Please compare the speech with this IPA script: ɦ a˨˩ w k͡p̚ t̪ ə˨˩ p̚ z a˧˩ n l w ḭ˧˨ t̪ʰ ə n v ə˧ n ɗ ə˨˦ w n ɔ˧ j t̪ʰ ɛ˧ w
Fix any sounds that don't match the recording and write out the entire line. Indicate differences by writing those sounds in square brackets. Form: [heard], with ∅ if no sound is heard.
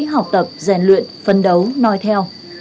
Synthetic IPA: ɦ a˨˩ w k͡p̚ t̪ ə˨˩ p̚ z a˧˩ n l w ḭ˧˨ [∅] ə n [f] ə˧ n ɗ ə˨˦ w n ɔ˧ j t̪ʰ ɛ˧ w